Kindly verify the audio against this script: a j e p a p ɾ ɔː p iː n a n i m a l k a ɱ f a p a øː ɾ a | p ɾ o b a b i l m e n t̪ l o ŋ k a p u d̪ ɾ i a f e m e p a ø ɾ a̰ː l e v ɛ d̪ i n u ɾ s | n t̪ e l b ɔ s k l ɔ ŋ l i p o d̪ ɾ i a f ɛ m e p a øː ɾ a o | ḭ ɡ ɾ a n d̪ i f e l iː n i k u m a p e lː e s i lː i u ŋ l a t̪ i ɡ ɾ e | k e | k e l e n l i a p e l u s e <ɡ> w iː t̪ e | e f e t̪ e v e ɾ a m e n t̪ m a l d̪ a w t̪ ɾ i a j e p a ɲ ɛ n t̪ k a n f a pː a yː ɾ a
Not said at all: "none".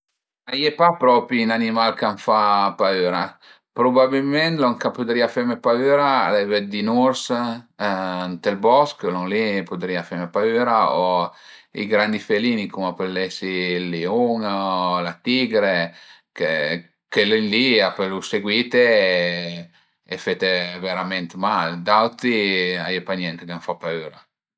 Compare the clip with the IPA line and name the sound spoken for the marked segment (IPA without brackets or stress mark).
ɡ